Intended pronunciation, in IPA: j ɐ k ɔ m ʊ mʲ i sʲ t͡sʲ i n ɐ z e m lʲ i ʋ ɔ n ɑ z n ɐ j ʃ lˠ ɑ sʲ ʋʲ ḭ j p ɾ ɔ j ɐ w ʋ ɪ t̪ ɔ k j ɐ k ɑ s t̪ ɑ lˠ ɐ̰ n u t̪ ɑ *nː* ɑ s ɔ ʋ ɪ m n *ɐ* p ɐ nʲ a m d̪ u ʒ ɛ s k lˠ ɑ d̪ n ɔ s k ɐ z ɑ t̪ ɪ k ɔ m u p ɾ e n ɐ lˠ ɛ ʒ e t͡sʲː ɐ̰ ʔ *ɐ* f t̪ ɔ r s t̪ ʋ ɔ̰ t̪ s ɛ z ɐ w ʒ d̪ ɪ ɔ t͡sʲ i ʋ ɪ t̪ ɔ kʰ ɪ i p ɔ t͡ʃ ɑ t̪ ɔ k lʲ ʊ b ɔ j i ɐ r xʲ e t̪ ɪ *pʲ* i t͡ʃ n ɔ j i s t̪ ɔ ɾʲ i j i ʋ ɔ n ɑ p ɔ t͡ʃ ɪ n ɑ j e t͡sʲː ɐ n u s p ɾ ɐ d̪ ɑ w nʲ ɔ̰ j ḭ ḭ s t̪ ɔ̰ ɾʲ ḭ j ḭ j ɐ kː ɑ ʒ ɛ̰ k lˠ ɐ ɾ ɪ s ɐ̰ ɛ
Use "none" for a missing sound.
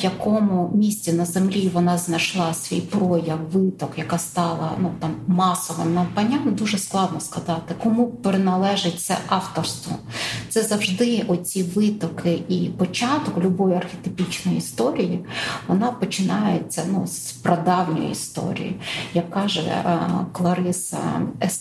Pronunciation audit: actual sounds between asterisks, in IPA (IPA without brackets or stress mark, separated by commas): mː, ɐ, ɑ, pʲ